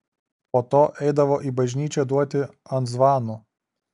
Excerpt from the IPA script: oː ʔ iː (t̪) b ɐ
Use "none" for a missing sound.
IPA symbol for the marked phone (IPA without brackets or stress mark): none